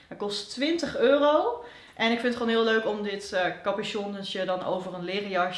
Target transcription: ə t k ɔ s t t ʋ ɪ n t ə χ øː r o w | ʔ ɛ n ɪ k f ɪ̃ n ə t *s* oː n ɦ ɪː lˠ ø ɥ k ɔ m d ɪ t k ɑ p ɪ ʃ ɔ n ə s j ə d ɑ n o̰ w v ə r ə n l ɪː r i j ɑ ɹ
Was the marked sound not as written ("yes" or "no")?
yes